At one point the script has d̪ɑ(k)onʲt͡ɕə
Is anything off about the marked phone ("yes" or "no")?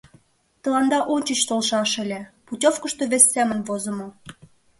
yes